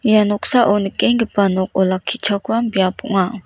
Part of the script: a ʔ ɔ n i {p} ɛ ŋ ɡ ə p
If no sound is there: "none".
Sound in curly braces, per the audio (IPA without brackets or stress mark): k